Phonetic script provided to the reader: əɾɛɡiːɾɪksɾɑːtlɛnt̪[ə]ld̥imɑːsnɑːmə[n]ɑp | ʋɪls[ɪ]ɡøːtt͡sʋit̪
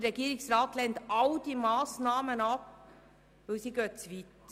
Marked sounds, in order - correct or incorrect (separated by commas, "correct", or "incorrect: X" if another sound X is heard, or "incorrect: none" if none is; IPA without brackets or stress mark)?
incorrect: ɑ, correct, incorrect: i